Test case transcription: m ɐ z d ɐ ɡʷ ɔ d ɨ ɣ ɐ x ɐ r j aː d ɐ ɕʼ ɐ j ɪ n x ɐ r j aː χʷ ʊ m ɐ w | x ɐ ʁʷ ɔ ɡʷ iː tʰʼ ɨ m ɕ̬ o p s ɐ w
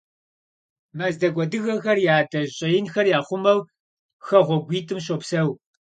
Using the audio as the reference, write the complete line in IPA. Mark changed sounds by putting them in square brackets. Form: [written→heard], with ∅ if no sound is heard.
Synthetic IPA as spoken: m ɐ z d ɐ ɡʷ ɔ d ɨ ɣ ɐ x ɐ r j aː d ɐ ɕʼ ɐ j ɪ n x ɐ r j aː χʷ ʊ m ɐ w | x ɐ ʁʷ ɔ ɡʷ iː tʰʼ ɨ m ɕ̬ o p s ɐ w